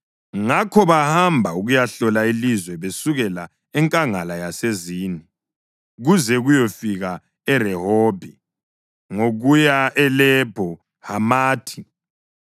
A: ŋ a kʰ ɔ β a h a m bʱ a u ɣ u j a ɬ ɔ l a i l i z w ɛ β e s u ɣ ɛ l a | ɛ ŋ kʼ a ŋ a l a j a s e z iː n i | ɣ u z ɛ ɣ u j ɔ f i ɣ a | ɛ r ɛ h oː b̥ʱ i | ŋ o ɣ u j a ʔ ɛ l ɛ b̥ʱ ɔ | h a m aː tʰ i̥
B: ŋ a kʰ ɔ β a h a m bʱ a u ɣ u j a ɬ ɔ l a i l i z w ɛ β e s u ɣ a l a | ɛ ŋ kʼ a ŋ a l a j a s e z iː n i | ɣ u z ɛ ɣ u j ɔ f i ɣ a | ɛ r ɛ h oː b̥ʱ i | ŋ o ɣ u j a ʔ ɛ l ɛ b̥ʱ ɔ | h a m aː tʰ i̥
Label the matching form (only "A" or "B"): A